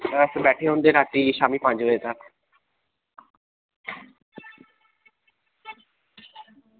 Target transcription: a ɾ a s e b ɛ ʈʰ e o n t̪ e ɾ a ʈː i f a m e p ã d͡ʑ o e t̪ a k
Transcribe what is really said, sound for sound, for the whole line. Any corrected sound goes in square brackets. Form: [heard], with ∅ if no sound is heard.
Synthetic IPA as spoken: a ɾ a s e b ɛ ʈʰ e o n [d̪] e ɾ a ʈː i [ʃ] a m [i] p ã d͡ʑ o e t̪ a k